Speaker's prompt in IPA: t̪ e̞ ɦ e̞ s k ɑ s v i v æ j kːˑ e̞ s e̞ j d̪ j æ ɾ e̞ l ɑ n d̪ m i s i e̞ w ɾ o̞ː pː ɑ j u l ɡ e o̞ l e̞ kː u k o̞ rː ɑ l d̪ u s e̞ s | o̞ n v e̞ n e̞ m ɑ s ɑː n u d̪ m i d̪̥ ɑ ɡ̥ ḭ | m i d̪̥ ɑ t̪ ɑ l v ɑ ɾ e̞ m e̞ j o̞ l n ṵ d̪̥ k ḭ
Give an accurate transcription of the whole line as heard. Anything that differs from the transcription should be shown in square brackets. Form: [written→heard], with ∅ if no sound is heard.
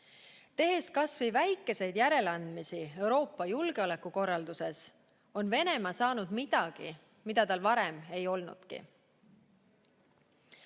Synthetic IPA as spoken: t̪ e̞ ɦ e̞ s k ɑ s v i v æ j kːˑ e̞ s e̞ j d̪ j æ ɾ e̞ l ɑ n d̪ m i s i e̞ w ɾ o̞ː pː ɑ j u l ɡ e o̞ l e̞ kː u k o̞ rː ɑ l d̪ u s e̞ s | o̞ n v e̞ n e̞ m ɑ s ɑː n u d̪ m i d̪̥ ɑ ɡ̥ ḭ | m i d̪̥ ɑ t̪ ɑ l v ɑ ɾ e̞ m e̞ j o̞ l n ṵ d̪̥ k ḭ

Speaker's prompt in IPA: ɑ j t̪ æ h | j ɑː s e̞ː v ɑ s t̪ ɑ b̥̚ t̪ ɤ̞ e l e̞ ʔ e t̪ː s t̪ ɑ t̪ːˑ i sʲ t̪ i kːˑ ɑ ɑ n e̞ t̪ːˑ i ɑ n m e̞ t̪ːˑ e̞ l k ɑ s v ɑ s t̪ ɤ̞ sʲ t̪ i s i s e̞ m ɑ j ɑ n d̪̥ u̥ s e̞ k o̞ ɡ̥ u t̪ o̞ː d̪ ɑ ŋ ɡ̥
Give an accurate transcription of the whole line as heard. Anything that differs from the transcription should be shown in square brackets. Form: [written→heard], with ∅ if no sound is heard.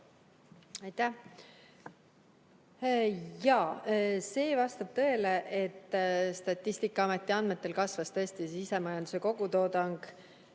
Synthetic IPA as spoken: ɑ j t̪ æ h | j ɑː s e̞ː v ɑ s t̪ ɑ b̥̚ t̪ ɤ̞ e l e̞ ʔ e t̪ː s t̪ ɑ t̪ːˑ i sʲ t̪ i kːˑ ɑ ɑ [n→m] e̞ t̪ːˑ i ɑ n m e̞ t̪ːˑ e̞ l k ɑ s v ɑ s t̪ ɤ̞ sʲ t̪ i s i s e̞ m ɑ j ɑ n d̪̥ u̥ s e̞ k o̞ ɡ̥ u t̪ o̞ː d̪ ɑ ŋ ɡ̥

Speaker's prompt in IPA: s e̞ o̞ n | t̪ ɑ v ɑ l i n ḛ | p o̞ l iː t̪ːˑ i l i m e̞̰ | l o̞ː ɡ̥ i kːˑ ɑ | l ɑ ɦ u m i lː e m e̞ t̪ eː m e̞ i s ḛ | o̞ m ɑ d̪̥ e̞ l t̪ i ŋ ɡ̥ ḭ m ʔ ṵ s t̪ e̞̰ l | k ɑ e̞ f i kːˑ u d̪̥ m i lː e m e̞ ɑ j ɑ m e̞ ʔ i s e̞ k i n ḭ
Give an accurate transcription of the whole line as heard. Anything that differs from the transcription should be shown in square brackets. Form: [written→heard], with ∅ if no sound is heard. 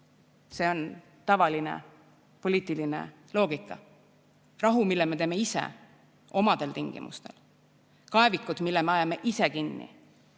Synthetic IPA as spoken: s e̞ o̞ n | t̪ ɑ v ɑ l i n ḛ | p o̞ l iː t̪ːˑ i l i [m→n] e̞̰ | l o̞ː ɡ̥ i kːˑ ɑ | [l→r] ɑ ɦ u m i lː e m e̞ t̪ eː m e̞ i s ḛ | o̞ m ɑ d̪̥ e̞ l t̪ i ŋ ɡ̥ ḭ m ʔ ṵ s t̪ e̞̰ l | k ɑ e̞ [f→v] i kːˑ u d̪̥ m i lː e m e̞ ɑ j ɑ m e̞ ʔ i s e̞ k i [n→nː] ḭ

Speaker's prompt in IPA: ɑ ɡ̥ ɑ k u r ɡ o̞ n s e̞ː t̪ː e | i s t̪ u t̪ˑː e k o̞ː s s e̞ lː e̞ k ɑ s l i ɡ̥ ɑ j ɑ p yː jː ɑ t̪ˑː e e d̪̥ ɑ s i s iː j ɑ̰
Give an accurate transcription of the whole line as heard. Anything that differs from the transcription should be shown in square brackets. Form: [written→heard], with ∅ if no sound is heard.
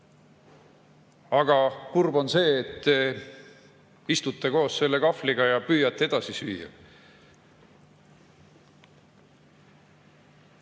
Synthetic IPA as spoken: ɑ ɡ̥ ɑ k u r [ɡ→b] o̞ n s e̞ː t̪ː e | i s t̪ u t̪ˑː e k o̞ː s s e̞ lː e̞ k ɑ [s→f] l i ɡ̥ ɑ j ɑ p yː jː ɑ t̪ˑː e e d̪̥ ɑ s i s [iː→yː] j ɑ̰

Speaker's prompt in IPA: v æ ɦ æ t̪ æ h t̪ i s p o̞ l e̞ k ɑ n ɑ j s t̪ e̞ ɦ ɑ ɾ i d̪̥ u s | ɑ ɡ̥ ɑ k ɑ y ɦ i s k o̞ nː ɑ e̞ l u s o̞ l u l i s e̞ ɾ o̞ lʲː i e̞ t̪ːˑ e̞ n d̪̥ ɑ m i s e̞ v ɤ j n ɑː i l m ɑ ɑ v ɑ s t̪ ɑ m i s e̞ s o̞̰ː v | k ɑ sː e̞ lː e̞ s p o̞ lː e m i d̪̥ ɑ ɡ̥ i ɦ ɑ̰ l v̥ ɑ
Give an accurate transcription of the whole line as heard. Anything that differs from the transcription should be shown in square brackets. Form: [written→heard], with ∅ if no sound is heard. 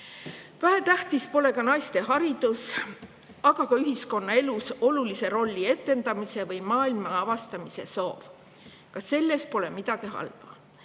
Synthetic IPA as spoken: v æ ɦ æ t̪ æ h t̪ i s p o̞ l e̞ k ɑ n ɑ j s t̪ e̞ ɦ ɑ ɾ i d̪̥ u s | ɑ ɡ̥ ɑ k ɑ y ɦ i s k o̞ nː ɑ e̞ l u s o̞ l u l i s e̞ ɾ o̞ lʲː i e̞ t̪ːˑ e̞ n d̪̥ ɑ m i s e̞ v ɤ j [n→m] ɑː i l m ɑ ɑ v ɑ s t̪ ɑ m i s e̞ s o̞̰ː v | k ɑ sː e̞ lː e̞ s p o̞ [lː→l] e m i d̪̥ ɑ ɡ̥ i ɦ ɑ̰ l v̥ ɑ

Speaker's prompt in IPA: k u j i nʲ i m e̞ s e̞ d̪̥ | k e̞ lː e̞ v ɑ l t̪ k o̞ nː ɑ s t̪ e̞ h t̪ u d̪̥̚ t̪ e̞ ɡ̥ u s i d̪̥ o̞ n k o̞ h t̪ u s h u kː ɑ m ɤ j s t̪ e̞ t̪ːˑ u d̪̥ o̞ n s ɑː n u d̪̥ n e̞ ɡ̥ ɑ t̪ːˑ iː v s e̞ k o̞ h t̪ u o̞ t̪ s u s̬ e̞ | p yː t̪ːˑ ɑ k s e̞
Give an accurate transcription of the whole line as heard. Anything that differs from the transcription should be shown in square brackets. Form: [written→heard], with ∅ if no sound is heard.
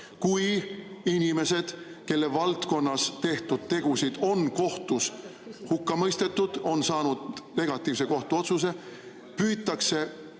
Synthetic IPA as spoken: k u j i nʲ i m e̞ s e̞ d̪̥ | k e̞ lː e̞ v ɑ l t̪ k o̞ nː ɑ s t̪ e̞ h t̪ u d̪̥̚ t̪ e̞ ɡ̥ u s i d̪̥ o̞ n k o̞ h t̪ u s h u kː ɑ m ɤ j s t̪ e̞ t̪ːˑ u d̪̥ o̞ n s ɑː n u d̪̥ n e̞ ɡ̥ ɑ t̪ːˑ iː v s e̞ k o̞ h t̪ u o̞ t̪ s u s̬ e̞ | p yː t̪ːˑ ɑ k s e̞

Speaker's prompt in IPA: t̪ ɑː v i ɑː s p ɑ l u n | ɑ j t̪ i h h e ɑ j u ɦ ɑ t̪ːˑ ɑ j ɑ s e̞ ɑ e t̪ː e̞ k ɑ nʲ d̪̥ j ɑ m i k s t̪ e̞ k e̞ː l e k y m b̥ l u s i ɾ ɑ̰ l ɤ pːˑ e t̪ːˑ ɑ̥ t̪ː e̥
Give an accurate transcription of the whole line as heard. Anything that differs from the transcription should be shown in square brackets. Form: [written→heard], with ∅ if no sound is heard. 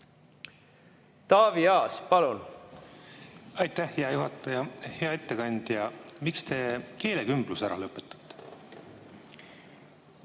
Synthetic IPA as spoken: t̪ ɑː v i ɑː s p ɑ l u n | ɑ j t̪ [i→æ] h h e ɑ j u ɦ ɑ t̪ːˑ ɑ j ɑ [s→h] e̞ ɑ e t̪ː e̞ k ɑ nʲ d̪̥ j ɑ m i k s t̪ e̞ k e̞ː l e k y m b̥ l u s [i→æ] ɾ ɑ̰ l ɤ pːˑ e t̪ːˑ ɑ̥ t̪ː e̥

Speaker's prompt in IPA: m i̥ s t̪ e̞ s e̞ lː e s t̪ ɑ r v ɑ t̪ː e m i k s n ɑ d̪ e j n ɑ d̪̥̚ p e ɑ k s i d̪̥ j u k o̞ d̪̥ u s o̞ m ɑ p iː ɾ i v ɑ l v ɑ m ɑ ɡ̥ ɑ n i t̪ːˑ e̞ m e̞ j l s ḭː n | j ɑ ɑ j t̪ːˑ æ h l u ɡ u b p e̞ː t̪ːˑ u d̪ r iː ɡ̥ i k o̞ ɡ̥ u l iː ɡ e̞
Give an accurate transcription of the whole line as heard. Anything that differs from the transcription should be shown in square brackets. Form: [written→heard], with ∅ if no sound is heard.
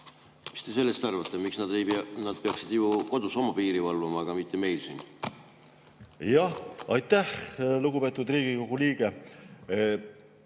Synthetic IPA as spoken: m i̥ s t̪ e̞ s e̞ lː e s t̪ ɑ r v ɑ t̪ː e m i k s n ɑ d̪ e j n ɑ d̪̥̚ p e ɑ k s i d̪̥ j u k o̞ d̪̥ u s o̞ m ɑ p iː ɾ i v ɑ l v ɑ m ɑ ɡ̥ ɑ [n→m] i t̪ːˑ e̞ m e̞ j l s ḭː n | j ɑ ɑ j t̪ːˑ æ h l u ɡ u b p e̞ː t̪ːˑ u d̪ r iː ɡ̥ i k o̞ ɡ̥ u l iː ɡ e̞

